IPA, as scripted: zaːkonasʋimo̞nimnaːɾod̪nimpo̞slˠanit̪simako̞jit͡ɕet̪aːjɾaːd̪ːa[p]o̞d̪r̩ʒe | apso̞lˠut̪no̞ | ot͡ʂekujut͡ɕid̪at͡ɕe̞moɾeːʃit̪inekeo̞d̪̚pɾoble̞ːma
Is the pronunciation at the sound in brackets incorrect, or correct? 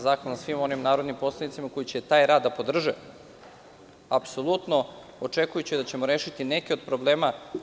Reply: correct